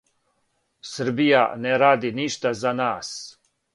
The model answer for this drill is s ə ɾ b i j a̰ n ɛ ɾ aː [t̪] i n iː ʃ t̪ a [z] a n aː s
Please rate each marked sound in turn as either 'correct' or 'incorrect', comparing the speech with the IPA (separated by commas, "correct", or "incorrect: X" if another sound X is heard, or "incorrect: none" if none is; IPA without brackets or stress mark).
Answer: incorrect: d̪, correct